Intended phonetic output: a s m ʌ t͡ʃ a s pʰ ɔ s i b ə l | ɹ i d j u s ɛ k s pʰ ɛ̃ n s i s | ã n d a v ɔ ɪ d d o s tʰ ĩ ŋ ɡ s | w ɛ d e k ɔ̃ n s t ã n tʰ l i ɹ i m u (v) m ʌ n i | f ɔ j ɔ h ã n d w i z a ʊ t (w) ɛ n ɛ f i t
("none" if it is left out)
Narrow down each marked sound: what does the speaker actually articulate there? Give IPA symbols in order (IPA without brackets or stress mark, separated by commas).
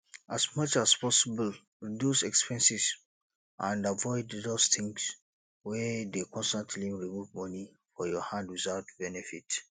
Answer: v, b